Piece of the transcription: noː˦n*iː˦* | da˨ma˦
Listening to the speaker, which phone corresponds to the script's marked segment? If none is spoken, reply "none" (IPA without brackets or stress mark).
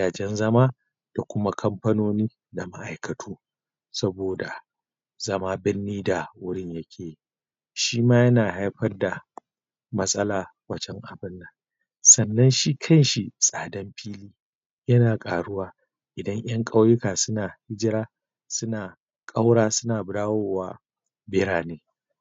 iː˦